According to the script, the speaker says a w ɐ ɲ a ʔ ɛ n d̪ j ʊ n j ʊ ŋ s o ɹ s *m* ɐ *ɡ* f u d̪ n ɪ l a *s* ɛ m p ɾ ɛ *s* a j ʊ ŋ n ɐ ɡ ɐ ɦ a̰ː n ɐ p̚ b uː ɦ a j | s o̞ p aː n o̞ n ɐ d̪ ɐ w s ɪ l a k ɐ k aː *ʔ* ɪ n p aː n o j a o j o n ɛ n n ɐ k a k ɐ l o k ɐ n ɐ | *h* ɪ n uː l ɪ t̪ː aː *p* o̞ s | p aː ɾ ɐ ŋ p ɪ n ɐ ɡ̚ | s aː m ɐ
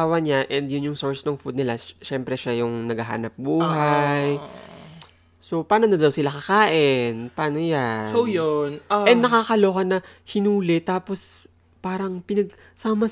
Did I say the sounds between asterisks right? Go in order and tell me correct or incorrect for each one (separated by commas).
incorrect, incorrect, incorrect, incorrect, correct, correct, correct